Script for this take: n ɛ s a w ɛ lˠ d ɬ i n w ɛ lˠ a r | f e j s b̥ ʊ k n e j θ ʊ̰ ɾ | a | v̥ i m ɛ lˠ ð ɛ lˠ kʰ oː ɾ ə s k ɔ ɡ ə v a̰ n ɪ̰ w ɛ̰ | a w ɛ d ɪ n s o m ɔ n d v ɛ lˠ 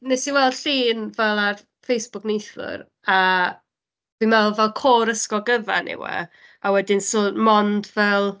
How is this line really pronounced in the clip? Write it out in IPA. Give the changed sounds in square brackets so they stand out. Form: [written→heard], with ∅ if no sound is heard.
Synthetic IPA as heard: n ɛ s [a→i] w ɛ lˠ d ɬ [i→iː] n [w→v] ɛ lˠ a r | f e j s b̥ ʊ k n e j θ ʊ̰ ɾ | a | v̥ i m ɛ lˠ [ð→v] ɛ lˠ kʰ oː ɾ ə s k ɔ ɡ ə v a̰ n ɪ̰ w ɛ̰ | a w ɛ d ɪ n s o m ɔ n d v ɛ lˠ